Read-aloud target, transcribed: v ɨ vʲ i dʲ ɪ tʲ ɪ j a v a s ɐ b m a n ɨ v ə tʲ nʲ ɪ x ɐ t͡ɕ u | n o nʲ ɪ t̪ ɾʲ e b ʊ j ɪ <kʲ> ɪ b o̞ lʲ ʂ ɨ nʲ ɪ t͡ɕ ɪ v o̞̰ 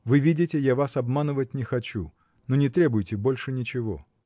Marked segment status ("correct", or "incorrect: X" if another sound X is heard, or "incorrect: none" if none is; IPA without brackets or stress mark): incorrect: tʲ